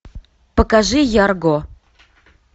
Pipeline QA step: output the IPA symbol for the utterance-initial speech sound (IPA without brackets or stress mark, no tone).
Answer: p